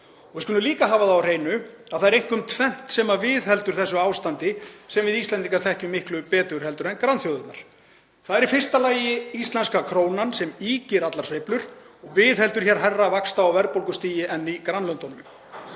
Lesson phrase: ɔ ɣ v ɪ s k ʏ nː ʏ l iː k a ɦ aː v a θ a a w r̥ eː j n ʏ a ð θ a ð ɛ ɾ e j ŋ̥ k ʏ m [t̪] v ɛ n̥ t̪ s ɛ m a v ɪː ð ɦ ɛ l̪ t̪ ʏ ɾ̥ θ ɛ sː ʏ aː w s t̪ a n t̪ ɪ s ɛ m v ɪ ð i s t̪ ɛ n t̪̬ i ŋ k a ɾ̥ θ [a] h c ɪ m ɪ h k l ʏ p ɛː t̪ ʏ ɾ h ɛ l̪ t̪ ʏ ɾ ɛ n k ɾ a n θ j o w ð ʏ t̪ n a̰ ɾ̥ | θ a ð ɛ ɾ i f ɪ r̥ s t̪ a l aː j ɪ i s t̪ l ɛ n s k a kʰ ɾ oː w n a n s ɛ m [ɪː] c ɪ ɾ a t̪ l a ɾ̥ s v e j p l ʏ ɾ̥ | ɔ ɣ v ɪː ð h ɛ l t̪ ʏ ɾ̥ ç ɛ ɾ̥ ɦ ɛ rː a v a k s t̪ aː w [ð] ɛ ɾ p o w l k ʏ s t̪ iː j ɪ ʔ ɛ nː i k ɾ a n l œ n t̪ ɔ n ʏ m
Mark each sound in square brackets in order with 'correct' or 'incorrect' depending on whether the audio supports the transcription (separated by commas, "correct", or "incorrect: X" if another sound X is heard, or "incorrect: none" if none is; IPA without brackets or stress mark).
incorrect: t̪ʰ, incorrect: ɛ, incorrect: iː, incorrect: v